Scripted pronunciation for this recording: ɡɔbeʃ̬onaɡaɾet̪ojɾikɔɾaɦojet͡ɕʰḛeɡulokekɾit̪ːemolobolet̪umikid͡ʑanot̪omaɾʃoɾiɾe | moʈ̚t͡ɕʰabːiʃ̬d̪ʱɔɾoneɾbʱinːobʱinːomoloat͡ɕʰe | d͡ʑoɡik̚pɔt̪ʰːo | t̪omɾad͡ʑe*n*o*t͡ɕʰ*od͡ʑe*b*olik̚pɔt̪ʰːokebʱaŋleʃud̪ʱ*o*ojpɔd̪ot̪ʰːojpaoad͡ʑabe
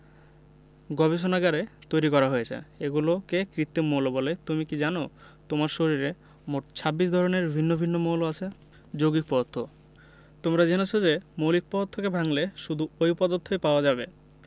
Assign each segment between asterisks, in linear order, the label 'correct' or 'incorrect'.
correct, correct, incorrect, incorrect

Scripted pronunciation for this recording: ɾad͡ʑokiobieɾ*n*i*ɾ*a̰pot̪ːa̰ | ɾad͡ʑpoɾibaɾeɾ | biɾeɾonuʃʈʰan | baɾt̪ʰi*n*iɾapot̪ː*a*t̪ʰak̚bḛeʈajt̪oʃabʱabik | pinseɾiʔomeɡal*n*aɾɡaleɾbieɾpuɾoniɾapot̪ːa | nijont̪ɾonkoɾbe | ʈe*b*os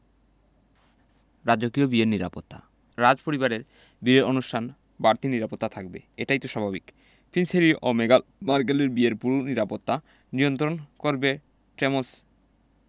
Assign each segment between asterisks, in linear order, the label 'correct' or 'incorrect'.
correct, correct, correct, correct, incorrect, incorrect

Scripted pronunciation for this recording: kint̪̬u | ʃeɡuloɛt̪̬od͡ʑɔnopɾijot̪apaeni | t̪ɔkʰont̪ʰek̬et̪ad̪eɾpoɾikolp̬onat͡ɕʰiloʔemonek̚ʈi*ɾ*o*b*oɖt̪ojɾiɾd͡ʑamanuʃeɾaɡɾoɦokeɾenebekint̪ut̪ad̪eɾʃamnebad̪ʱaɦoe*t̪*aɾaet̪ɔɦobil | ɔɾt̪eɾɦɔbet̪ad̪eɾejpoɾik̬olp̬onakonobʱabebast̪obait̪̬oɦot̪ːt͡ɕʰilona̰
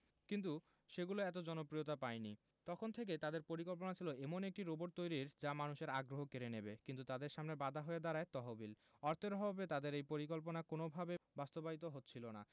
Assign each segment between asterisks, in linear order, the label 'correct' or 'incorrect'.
correct, correct, incorrect

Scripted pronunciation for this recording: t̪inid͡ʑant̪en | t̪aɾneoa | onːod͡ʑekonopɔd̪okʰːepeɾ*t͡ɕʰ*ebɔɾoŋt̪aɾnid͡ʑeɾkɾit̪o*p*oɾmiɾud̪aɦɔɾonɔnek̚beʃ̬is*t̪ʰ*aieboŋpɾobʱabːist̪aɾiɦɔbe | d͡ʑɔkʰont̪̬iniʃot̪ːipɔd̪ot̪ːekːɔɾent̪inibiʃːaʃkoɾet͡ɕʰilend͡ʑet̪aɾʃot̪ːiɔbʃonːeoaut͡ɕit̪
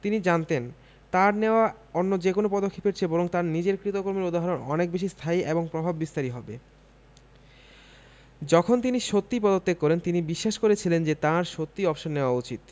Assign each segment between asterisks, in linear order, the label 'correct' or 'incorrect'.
correct, incorrect, correct

